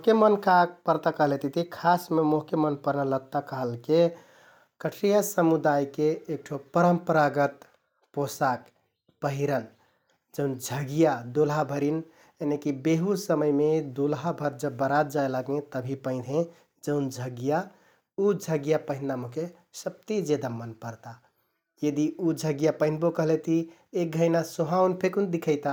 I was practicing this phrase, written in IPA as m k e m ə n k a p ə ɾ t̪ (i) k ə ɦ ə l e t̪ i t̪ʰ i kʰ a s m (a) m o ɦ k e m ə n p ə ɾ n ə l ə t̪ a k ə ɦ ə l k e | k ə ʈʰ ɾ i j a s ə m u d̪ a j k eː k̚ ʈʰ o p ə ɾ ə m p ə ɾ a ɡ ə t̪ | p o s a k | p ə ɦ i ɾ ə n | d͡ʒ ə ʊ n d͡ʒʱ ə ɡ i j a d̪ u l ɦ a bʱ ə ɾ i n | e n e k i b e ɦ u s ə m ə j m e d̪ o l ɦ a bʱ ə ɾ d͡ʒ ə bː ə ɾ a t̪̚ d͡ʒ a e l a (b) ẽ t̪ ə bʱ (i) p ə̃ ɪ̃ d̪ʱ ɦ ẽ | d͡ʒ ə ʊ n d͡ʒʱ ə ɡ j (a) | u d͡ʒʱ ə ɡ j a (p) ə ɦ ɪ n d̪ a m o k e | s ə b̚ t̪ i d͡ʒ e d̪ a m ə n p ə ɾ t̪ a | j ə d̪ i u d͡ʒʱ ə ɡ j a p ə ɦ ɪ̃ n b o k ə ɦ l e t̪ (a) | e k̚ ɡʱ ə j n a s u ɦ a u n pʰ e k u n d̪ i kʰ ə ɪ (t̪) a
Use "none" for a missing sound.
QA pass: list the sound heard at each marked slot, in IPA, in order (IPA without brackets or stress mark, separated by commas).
a, e, ɡ, i, a, p, i, t̪